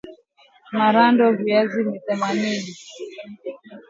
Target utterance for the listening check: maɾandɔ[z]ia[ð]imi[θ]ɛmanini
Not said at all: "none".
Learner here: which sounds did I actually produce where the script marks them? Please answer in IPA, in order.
v, z, θ

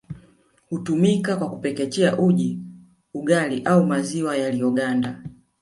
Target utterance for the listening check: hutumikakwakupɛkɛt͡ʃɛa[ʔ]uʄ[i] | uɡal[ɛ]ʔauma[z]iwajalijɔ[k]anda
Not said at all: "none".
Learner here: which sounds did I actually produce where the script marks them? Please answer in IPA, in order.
ʔ, i, i, z, ɡ

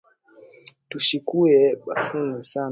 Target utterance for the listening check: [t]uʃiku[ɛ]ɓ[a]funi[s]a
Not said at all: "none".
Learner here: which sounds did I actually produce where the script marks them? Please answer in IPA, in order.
t, ɛ, a, s

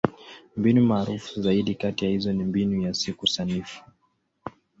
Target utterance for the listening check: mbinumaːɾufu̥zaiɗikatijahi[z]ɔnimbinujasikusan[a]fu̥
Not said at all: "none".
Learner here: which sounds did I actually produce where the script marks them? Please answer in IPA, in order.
z, i

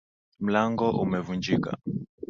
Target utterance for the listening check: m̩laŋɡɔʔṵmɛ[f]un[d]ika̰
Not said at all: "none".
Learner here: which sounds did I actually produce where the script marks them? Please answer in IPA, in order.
v, d͡ʒ

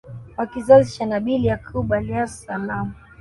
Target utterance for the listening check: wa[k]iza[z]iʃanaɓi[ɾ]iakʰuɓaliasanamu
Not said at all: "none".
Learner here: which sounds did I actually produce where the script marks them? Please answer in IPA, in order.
k, z, l

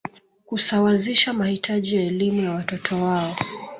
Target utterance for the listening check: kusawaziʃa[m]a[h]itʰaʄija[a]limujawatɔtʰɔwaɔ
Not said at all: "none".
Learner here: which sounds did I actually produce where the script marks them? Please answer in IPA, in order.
m, h, ɛ

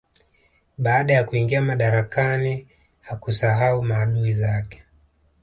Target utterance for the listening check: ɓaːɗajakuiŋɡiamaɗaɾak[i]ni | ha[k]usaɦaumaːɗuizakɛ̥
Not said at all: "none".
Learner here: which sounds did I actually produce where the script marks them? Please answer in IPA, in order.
a, k

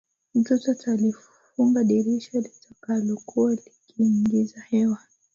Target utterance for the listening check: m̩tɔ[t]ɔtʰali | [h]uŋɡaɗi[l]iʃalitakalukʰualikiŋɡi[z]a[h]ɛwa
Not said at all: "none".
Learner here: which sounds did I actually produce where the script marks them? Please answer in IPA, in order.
t, f, ɾ, z, h

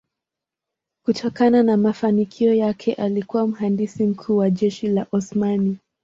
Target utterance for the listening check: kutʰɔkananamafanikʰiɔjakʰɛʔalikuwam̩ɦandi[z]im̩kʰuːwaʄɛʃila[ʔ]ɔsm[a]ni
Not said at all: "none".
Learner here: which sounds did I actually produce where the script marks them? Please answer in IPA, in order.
s, ʔ, a

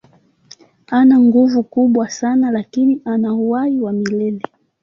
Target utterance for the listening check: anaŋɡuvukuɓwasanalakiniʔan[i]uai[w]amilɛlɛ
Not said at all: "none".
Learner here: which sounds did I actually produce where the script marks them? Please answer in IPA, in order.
a, w

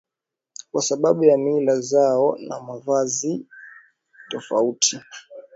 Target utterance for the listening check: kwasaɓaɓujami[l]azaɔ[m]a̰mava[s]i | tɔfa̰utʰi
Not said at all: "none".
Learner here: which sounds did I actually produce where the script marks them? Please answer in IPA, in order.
l, n, z

